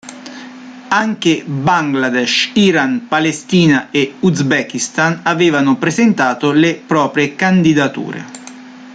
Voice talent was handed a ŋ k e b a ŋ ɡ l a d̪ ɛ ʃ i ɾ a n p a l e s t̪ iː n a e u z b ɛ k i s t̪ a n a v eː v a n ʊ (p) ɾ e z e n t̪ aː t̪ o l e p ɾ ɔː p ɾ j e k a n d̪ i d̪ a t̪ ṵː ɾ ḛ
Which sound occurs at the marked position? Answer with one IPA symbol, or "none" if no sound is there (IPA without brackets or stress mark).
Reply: p